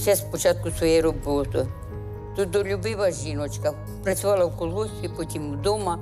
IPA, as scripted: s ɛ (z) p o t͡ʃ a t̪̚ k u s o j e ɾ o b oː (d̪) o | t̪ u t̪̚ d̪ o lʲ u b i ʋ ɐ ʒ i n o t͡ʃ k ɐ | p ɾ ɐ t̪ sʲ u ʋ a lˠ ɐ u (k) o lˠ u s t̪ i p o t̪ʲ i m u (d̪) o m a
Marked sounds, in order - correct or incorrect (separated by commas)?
incorrect, incorrect, correct, correct